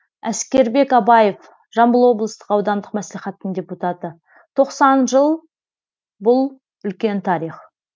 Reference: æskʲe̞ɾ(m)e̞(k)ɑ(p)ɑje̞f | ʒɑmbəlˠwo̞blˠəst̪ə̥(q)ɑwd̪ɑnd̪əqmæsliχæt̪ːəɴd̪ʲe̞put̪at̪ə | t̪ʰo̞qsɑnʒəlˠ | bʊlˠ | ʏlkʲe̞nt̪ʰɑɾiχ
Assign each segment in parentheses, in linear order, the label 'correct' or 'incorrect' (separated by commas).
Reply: incorrect, correct, incorrect, correct